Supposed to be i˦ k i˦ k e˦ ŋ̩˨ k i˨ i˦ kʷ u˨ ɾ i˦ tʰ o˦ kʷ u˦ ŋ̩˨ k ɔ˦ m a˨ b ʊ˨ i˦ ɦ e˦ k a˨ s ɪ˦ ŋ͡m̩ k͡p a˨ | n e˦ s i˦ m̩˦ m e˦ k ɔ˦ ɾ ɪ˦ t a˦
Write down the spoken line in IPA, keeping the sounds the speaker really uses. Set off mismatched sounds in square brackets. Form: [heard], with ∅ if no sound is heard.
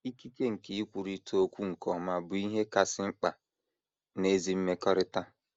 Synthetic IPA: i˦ k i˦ k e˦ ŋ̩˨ k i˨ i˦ kʷ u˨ ɾ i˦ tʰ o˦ kʷ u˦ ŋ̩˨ k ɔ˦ m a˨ b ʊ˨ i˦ ɦ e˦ k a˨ s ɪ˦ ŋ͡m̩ k͡p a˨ | n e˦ [z] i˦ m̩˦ m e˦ k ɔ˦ ɾ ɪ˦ t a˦